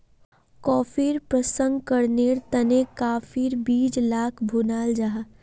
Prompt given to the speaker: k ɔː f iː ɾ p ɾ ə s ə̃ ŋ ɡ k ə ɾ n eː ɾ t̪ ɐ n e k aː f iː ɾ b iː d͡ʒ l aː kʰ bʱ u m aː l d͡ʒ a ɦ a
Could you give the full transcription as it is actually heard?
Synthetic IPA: k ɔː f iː ɾ p ɾ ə s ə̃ ŋ ɡ k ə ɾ n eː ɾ t̪ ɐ n e k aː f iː ɾ b iː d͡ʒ l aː kʰ bʱ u n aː l d͡ʒ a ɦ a